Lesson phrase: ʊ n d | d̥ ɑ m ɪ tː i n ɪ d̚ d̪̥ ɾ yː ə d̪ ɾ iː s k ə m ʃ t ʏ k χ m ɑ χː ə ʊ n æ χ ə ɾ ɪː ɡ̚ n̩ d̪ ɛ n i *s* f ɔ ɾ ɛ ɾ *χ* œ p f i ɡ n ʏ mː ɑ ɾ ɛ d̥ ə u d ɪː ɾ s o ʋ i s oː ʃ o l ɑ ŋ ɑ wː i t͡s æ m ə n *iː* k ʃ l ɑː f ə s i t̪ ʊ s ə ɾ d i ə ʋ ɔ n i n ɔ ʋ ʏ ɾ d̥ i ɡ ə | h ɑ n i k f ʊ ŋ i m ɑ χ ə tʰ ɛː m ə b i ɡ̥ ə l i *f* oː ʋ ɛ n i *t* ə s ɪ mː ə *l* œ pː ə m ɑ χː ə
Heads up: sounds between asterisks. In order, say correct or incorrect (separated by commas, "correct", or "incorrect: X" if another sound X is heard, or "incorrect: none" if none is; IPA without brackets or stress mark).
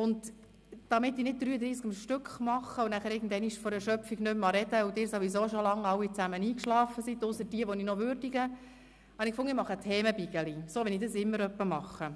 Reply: incorrect: ʃ, incorrect: ʃ, correct, incorrect: s, incorrect: d, incorrect: ɾ